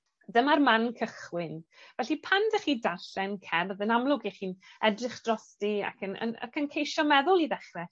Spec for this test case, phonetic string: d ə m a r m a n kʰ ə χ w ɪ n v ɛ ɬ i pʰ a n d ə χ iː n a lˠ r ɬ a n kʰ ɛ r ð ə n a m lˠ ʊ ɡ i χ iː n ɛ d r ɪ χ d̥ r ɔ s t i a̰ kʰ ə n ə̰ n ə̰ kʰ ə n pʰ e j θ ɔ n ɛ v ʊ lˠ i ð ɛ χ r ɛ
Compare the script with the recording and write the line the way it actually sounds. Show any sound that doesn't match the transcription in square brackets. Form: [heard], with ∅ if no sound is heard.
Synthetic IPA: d ə m a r m a n kʰ ə χ w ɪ n v ɛ ɬ i pʰ a n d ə χ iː [d] a [∅] r ɬ [ɛ] n kʰ ɛ r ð ə n a m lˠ ʊ ɡ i χ iː n ɛ d r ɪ χ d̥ r ɔ s t i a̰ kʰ ə n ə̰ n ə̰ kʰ ə n [kʰ] e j [ʃ] ɔ [m] ɛ [ð] ʊ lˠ i ð ɛ χ r ɛ